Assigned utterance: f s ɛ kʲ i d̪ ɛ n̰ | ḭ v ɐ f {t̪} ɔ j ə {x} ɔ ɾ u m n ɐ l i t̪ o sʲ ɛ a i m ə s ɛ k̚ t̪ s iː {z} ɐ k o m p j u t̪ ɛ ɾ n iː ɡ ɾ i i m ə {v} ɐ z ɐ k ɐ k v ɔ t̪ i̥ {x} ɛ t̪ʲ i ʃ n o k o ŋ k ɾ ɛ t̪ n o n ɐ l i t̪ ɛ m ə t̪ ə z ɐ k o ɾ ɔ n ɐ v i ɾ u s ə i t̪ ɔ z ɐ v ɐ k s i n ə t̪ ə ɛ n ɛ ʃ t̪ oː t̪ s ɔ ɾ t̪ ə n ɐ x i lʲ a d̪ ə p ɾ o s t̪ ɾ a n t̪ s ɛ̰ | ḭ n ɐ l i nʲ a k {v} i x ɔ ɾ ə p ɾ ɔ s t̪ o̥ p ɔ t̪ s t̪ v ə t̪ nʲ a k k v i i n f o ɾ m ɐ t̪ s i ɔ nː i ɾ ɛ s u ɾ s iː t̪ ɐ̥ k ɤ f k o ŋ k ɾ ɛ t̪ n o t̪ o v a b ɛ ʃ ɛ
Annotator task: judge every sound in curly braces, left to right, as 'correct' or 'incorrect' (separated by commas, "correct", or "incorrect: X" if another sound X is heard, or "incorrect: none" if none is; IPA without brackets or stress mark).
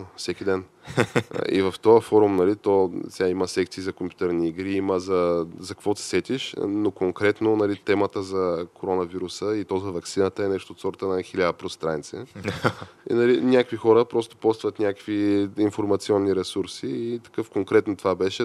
correct, incorrect: f, correct, incorrect: z, incorrect: s, correct